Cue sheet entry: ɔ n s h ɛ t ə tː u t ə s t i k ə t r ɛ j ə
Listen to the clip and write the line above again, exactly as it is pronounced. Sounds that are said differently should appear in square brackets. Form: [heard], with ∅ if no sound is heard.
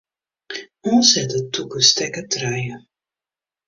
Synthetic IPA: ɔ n s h ɛ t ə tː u [k] ə s t [ɛ] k ə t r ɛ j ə